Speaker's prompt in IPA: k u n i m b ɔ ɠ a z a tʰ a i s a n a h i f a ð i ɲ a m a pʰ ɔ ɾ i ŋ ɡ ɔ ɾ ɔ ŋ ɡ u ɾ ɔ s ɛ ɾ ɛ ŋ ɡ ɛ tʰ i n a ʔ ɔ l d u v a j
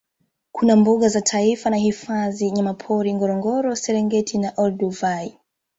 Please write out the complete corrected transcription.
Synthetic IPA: k u n a m b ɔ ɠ a z a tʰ a i f a n a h i f a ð i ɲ a m a pʰ ɔ ɾ i ŋ ɡ ɔ ɾ ɔ ŋ ɡ ɔ ɾ ɔ s ɛ ɾ ɛ ŋ ɡ ɛ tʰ i n a ʔ ɔ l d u v a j